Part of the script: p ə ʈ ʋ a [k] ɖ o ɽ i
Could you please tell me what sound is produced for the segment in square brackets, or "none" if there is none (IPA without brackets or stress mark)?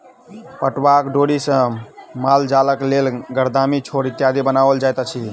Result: k